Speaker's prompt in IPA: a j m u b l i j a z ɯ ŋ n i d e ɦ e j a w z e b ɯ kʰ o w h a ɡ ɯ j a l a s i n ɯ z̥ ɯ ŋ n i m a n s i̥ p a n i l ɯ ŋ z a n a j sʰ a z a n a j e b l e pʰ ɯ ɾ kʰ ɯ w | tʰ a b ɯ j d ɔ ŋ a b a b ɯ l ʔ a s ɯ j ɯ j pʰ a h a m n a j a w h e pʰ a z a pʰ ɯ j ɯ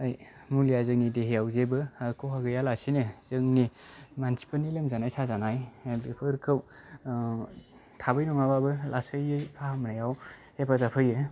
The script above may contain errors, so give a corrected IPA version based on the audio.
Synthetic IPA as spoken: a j m u l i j a z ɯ ŋ n i d e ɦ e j a w z e b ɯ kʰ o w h a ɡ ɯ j a l a s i n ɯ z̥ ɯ ŋ n i m a n s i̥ p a n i l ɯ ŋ z a n a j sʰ a z a n a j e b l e pʰ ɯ ɾ kʰ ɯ w | tʰ a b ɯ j n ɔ ŋ a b a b ɯ l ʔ a s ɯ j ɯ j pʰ a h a m n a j a w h e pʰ a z a pʰ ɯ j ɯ